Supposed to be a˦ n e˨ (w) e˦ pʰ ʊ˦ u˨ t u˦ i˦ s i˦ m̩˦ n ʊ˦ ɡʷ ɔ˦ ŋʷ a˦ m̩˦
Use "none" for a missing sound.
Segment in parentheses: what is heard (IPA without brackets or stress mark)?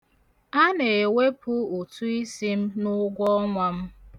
w